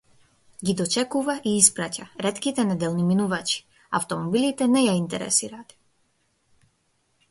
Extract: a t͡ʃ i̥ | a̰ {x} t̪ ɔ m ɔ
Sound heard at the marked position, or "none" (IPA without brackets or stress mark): f